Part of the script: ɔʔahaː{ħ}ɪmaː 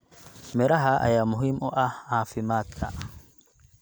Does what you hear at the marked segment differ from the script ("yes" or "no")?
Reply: yes